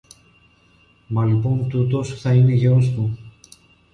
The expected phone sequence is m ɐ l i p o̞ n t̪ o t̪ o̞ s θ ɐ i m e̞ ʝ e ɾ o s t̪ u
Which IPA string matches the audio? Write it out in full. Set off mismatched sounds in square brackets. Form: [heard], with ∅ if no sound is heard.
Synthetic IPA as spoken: m ɐ l i p o̞ n t̪ [u] t̪ o̞ s θ ɐ i [n] e̞ ʝ e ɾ o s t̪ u